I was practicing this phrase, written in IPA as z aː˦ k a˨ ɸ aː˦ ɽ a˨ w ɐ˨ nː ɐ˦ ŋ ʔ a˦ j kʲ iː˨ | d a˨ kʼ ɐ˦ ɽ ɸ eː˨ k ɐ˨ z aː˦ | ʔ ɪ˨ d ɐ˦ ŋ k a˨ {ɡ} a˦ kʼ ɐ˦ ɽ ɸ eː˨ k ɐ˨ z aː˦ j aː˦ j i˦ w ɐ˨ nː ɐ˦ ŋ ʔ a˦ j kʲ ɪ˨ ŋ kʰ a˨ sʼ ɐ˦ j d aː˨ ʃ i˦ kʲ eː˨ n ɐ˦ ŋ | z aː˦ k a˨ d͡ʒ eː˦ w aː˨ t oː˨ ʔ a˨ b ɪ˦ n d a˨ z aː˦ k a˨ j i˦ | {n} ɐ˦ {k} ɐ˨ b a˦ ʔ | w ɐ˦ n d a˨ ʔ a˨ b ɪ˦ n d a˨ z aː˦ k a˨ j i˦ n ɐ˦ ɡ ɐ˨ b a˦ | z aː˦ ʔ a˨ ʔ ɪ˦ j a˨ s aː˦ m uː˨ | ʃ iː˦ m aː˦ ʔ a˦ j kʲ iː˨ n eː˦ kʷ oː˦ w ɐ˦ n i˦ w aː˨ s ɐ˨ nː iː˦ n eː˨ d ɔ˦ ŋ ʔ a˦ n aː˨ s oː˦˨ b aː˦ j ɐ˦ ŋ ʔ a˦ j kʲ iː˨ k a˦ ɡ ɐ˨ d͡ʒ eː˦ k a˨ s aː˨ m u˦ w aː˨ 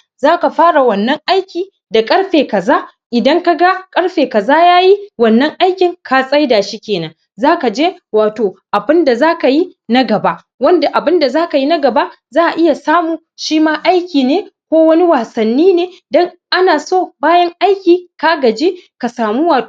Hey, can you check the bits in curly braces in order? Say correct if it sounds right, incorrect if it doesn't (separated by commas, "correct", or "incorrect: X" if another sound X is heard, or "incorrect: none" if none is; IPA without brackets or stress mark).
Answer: correct, correct, incorrect: ɡ